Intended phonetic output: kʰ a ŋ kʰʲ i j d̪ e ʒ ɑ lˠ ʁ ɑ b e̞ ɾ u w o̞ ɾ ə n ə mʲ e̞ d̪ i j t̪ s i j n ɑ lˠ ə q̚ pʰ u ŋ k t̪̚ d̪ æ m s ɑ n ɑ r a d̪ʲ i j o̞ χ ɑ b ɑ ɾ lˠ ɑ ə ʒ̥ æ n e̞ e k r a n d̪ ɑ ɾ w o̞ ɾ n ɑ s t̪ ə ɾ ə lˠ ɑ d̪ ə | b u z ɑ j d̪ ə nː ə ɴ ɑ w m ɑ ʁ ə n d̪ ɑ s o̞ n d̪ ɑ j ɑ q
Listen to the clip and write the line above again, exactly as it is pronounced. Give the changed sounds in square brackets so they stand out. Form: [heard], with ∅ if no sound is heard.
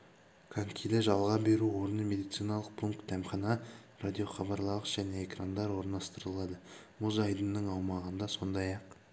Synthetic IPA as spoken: kʰ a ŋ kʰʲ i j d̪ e ʒ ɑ lˠ ʁ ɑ b e̞ ɾ u w o̞ ɾ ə n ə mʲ e̞ d̪ i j t̪ s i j n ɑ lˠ ə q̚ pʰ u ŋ k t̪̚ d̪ æ m [χ] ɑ n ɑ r a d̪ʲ i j o̞ χ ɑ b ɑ ɾ lˠ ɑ ə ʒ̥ æ n e̞ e k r a n d̪ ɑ ɾ w o̞ ɾ n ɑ s t̪ ə ɾ ə lˠ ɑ d̪ ə | [m] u z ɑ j d̪ ə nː ə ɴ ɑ w m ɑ ʁ ə n d̪ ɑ s o̞ n d̪ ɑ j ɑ q